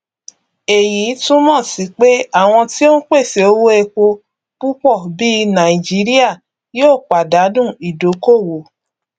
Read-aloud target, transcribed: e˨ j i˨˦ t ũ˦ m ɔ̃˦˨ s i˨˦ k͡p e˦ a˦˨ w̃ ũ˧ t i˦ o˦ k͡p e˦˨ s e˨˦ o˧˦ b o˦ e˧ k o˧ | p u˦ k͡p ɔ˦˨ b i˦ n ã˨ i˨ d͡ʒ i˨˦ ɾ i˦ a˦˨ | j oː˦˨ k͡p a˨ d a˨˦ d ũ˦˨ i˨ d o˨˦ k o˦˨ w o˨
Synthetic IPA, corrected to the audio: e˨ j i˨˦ t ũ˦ m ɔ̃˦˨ s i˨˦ k͡p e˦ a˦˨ w̃ ɔ̃˧ t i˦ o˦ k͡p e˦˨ s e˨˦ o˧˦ w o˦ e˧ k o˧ | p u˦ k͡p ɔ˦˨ b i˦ n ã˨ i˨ d͡ʒ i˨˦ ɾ i˦ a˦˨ | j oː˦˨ k͡p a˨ d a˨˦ d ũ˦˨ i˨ d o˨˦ k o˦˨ w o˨